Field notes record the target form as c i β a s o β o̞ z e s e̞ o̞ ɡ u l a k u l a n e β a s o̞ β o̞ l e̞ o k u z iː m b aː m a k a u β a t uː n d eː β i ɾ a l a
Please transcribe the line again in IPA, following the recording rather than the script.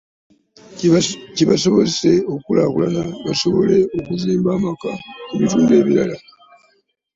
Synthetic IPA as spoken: c i β a s o β o̞ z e s e̞ o̞ k u l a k u l a n a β a s o̞ β o̞ l e̞ o k u z iː m b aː m a k a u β i t uː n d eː β i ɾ a l a